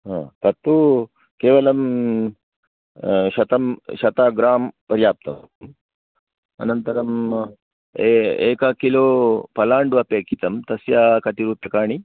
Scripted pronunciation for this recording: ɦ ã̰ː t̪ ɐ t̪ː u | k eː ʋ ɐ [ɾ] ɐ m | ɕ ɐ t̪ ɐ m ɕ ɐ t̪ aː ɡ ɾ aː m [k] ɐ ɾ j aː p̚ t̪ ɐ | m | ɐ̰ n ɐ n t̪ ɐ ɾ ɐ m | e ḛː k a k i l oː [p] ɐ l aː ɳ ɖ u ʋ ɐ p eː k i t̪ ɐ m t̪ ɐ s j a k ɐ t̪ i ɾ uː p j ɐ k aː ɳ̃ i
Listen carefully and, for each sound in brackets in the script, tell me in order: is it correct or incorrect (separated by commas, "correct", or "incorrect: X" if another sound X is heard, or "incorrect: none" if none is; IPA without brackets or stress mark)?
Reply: incorrect: l, incorrect: p, correct